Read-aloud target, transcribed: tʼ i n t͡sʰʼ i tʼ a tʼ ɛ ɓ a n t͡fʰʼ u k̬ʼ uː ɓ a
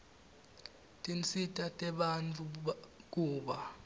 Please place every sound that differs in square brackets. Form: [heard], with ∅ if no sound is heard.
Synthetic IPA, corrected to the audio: tʼ i n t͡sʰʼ i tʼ a tʼ ɛ ɓ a n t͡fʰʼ u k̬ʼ uː ɓ a

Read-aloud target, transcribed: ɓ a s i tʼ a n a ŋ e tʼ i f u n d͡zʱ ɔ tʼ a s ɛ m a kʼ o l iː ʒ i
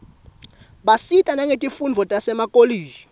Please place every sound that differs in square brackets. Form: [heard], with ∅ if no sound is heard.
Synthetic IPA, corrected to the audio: ɓ a s i tʼ a n a ŋ e tʼ i f u n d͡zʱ ɔ tʼ a s ɛ m a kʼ o l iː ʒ i

